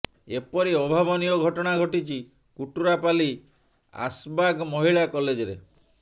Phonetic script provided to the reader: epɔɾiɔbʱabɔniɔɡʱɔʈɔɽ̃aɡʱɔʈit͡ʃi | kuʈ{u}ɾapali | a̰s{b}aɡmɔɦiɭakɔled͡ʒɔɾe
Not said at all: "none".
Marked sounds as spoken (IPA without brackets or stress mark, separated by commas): u, b